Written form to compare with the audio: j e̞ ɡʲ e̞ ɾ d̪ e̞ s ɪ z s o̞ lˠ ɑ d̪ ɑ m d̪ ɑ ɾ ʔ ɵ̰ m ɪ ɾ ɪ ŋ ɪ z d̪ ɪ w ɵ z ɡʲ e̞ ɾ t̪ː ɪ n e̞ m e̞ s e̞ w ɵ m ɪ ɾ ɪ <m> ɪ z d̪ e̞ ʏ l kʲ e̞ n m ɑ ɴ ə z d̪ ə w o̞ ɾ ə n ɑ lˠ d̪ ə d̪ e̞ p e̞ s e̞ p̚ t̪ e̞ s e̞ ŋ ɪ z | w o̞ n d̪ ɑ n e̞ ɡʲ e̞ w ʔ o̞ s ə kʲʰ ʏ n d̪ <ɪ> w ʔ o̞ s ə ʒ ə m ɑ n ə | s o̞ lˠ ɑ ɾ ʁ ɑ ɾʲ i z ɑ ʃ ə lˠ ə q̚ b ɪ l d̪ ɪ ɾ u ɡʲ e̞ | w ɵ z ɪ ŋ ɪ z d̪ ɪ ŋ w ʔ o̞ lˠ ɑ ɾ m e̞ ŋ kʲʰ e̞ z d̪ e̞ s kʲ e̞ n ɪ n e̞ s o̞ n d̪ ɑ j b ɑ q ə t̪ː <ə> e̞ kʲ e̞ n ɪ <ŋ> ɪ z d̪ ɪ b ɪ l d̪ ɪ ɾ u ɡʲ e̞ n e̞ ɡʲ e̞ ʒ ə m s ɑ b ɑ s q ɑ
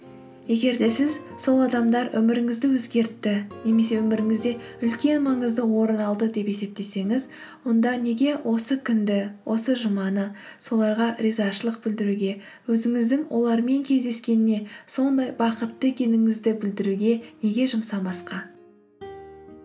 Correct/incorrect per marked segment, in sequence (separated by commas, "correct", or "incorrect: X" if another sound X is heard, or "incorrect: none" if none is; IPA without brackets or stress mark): incorrect: ŋ, correct, correct, correct